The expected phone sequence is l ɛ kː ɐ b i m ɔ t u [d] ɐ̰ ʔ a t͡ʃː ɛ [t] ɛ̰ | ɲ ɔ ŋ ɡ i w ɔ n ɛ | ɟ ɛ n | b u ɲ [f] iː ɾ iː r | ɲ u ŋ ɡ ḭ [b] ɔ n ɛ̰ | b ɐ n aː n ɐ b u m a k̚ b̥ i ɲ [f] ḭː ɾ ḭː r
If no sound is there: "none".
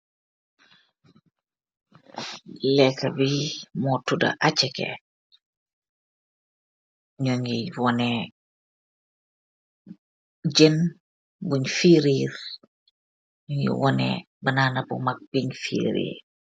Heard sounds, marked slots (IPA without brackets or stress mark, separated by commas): d, k, f, w, f